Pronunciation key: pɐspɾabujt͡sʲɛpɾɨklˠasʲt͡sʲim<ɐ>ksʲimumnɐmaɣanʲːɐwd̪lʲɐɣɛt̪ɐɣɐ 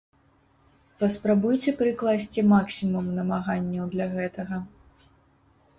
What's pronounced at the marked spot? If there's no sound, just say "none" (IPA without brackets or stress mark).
a